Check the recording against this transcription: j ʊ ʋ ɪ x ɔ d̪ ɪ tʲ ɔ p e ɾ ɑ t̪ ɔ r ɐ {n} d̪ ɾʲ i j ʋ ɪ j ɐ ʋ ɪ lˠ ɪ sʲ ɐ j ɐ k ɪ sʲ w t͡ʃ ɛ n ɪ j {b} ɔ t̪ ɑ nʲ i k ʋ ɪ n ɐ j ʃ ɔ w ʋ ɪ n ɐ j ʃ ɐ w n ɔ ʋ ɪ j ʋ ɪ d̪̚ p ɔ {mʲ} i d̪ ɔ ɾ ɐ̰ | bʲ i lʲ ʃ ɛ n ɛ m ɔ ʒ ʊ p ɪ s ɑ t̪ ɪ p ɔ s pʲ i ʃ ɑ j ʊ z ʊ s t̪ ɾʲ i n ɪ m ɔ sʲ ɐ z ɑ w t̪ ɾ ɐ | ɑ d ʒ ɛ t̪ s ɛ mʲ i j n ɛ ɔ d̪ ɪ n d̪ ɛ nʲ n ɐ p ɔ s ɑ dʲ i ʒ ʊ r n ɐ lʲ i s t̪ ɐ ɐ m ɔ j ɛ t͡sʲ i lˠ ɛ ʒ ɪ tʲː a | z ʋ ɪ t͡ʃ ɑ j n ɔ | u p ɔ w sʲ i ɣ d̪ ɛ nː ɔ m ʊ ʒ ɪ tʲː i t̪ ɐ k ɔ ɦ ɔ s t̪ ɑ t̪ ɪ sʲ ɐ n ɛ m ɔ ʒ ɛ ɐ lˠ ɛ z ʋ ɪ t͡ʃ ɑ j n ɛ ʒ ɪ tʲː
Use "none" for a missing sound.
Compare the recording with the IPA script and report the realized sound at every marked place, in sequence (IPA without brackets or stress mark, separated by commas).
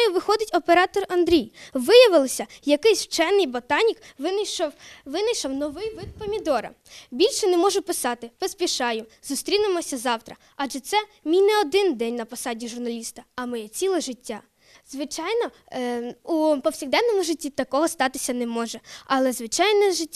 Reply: n, b, mʲ